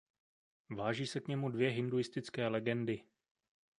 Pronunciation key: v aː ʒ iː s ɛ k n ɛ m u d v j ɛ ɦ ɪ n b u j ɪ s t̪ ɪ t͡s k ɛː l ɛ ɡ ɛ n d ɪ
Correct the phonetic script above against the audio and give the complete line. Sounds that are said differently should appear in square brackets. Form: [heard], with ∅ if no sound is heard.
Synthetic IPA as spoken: v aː ʒ iː s ɛ k [ɲ] ɛ m u d v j ɛ ɦ ɪ n [d] u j ɪ s t̪ ɪ t͡s k ɛː l ɛ ɡ ɛ n d ɪ